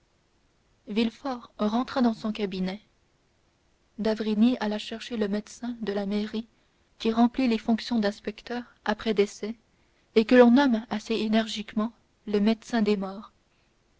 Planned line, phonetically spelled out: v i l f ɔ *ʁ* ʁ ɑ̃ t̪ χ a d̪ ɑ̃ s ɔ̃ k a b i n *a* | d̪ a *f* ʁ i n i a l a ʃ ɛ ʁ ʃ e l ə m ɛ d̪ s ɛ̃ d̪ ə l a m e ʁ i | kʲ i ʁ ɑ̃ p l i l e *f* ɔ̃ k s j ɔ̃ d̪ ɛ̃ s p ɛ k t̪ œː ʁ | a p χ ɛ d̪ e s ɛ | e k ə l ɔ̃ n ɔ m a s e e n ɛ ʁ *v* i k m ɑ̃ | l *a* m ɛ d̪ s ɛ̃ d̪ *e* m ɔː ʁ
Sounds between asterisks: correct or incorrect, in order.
correct, incorrect: ɛ, incorrect: v, correct, incorrect: ʒ, incorrect: ə, correct

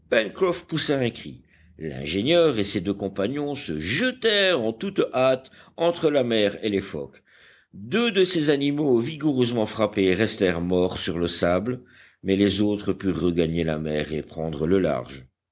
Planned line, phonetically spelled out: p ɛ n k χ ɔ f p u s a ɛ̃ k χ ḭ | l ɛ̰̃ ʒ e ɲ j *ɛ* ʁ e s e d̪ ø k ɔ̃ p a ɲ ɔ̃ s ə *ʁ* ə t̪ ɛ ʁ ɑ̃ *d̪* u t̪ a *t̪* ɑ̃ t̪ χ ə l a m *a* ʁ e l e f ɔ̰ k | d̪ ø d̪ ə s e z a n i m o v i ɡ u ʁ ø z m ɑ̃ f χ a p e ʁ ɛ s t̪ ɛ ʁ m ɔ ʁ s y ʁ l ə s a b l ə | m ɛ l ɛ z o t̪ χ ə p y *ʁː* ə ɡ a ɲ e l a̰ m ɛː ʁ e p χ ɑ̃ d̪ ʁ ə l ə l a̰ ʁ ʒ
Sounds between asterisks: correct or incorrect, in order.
incorrect: œ, incorrect: ʒ, incorrect: t̪, correct, incorrect: ɛ, correct

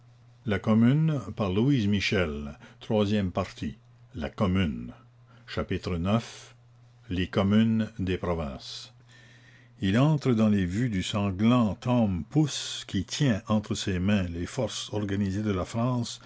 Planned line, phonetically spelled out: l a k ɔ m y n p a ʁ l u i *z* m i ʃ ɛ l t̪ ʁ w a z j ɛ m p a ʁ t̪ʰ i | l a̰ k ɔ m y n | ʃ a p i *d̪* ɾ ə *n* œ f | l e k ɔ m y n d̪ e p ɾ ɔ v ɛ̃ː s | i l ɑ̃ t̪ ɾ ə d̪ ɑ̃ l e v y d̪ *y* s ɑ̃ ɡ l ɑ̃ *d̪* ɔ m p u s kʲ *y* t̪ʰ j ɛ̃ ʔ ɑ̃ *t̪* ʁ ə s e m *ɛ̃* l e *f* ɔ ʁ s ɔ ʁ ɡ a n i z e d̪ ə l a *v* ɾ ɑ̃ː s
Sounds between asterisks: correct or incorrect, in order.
correct, incorrect: t̪, correct, correct, incorrect: t̪, incorrect: i, correct, correct, correct, incorrect: f

